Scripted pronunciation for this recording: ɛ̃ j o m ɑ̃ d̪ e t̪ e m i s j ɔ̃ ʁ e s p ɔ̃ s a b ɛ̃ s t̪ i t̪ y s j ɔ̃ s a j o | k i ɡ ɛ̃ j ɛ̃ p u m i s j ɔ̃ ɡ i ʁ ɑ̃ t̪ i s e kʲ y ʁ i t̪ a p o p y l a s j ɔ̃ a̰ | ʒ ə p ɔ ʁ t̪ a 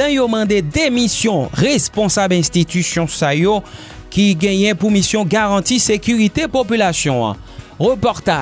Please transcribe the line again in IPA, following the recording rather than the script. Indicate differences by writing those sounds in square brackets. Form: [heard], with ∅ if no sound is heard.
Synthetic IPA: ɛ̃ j o m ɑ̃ d̪ e [d̪] e m i s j ɔ̃ ʁ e s p ɔ̃ s a b ɛ̃ s t̪ i t̪ y s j ɔ̃ s a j o | k i ɡ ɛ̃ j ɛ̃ p u m i s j ɔ̃ ɡ [a] ʁ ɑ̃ t̪ i s e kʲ y ʁ i t̪ [e] p o p y l a s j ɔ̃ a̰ | [ʁ] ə p ɔ ʁ t̪ a